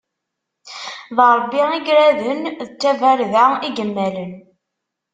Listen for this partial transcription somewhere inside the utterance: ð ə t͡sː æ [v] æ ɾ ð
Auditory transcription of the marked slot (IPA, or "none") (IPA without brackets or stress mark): v